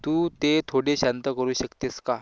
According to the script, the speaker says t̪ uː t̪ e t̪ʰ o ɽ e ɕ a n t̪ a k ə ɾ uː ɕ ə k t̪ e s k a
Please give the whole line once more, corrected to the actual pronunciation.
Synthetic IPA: t̪ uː t̪ e t̪ʰ o ɽ e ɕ a n t̪ ə k ə ɾ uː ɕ ə k t̪ e s k a